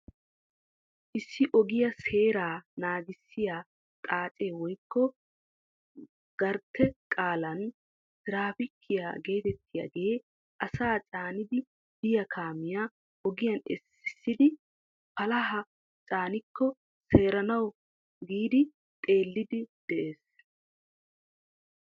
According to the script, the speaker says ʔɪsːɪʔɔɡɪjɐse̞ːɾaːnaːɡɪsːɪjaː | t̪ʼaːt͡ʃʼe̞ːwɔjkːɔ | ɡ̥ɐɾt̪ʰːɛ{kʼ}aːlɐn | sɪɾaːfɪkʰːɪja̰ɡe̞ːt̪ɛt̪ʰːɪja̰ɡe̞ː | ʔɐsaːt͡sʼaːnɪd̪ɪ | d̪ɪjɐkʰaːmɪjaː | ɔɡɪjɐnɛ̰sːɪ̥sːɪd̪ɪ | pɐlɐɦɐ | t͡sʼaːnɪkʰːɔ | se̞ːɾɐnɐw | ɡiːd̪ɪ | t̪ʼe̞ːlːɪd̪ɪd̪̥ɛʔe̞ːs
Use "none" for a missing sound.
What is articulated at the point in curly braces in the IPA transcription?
kʼ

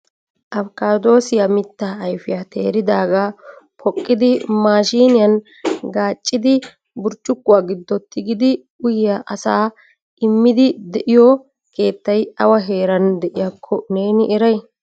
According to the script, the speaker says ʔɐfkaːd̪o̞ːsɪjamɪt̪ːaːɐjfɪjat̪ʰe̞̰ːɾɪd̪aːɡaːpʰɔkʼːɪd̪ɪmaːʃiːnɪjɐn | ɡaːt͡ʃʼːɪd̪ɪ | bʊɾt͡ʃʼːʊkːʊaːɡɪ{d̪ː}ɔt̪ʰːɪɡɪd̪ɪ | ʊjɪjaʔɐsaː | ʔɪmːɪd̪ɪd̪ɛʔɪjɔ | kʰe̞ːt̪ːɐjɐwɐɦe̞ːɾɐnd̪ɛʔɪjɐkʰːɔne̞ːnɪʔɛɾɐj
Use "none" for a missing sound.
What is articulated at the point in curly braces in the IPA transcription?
d̪ː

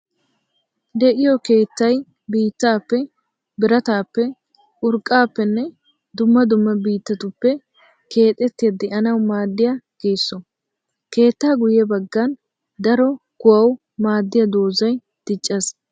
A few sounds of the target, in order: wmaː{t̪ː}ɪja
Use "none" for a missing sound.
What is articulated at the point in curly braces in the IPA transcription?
d̪ː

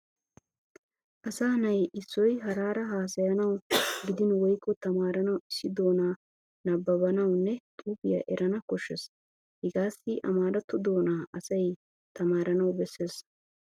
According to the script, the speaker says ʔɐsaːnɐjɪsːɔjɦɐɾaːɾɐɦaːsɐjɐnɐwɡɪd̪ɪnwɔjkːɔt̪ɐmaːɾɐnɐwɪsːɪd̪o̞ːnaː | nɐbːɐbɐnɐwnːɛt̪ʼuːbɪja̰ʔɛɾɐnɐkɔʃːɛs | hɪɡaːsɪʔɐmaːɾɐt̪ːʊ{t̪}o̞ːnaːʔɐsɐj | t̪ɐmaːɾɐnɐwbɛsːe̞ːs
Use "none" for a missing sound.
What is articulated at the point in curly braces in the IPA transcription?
d̪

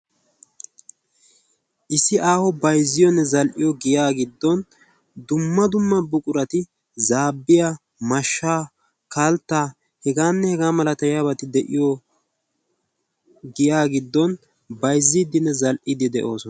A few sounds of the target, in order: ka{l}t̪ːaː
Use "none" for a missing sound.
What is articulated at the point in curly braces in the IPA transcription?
l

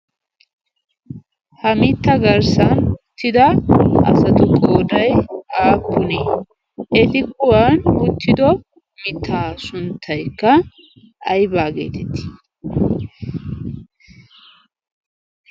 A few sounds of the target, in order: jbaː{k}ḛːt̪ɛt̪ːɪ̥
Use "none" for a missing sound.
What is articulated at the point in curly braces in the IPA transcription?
ɡ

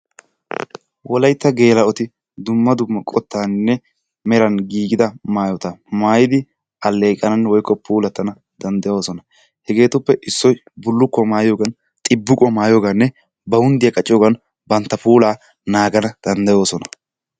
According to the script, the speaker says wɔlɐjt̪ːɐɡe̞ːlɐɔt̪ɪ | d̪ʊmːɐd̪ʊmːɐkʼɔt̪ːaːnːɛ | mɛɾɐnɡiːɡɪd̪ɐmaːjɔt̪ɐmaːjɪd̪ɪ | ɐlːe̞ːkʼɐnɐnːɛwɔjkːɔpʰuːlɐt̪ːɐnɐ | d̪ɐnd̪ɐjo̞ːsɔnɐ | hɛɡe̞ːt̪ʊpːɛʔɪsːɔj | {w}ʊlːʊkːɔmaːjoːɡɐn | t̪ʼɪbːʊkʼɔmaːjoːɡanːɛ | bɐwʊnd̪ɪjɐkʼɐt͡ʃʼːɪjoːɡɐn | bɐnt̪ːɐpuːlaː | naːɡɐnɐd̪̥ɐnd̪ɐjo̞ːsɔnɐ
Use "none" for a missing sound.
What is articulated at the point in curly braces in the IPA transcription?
b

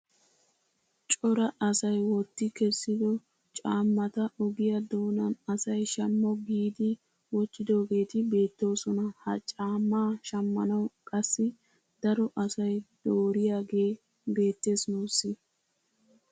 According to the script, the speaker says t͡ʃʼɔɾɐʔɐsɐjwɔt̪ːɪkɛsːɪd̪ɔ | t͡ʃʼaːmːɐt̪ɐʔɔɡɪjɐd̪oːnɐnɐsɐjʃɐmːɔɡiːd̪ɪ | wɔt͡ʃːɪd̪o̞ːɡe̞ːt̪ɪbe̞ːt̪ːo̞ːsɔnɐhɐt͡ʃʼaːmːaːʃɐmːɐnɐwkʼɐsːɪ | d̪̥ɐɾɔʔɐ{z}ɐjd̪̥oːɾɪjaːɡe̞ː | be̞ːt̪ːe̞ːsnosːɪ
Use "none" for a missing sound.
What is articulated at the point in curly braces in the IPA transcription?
s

